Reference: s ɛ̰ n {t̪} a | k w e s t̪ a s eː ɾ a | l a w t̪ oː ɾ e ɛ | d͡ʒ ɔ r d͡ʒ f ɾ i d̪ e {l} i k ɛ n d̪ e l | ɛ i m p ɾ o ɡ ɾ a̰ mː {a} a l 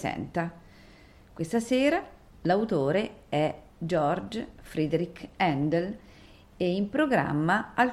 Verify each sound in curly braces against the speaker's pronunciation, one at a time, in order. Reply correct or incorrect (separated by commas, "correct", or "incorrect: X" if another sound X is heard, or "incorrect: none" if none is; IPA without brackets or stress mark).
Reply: correct, incorrect: ɾ, correct